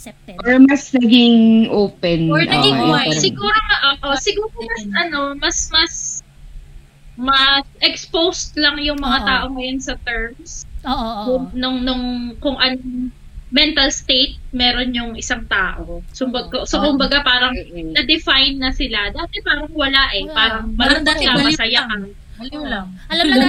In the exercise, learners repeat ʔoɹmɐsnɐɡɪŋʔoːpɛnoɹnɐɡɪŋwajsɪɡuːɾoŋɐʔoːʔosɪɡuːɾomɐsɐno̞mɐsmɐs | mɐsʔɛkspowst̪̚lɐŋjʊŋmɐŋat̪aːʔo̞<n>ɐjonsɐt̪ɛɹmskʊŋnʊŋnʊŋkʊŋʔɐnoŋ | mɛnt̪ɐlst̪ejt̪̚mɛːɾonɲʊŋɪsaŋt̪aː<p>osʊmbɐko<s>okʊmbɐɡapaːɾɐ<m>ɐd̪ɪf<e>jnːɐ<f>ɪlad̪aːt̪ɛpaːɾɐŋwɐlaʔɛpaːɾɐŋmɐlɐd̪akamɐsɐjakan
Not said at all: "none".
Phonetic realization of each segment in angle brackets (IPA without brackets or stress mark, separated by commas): ŋ, ʔ, s, ŋ, a, s